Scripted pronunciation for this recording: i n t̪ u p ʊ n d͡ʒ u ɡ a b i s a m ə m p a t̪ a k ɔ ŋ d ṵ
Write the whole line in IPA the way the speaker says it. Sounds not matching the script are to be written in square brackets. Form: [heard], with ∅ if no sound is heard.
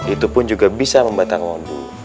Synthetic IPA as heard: i [∅] t̪ u p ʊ n d͡ʒ u ɡ a b i s a m ə m [b] a t̪ a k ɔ [n] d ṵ